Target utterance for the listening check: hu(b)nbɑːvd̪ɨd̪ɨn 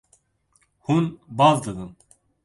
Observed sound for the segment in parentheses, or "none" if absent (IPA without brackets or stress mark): none